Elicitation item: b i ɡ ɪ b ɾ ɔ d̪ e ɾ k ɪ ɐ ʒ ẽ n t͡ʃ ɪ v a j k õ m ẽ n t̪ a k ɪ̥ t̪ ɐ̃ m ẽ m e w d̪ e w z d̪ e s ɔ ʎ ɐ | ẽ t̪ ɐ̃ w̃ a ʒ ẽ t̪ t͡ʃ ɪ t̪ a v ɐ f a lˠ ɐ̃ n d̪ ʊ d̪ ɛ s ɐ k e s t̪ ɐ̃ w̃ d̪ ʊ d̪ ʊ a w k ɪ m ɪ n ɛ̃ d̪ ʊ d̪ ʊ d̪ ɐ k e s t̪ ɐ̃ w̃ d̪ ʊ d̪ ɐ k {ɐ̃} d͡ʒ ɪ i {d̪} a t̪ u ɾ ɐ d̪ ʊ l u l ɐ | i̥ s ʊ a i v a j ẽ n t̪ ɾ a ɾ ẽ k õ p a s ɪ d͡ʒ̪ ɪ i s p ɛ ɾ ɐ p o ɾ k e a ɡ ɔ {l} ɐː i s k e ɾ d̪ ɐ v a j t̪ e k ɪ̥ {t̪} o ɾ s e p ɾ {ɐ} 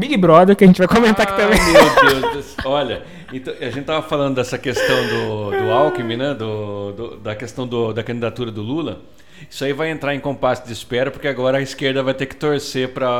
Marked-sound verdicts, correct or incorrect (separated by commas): correct, correct, incorrect, correct, correct